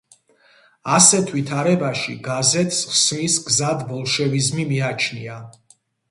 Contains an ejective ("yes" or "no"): no